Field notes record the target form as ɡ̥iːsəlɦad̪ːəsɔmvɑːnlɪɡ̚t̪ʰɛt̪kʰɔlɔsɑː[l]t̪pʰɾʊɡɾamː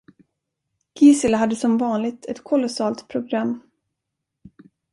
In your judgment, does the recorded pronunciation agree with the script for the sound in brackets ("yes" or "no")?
yes